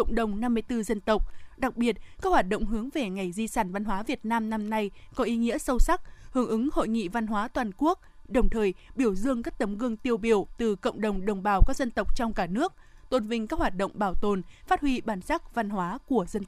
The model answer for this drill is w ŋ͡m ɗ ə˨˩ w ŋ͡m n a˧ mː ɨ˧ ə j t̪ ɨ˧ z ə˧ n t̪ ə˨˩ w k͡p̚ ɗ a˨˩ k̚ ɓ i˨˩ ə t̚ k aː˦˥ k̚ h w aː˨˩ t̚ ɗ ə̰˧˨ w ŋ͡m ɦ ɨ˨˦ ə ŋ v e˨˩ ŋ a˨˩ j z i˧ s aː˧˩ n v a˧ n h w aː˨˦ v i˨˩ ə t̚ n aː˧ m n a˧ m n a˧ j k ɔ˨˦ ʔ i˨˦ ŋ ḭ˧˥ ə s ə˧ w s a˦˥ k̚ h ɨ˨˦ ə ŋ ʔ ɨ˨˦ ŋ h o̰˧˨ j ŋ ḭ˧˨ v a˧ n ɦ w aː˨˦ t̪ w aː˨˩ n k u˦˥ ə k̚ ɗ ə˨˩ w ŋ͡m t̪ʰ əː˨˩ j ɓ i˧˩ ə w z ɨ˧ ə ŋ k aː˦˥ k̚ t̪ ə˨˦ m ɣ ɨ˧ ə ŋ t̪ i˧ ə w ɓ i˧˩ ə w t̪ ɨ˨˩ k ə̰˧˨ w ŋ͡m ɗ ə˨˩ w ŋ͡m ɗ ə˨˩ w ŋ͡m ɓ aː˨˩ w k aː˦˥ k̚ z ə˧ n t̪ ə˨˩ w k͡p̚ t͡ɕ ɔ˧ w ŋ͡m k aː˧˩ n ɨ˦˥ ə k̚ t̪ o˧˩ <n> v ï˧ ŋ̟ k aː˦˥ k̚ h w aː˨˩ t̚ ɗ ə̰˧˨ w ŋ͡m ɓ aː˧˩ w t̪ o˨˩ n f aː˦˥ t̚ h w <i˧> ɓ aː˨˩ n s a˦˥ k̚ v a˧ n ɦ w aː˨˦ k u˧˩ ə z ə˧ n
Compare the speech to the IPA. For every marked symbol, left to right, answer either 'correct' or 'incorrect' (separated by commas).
correct, correct